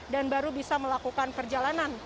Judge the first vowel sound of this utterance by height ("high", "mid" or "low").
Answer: low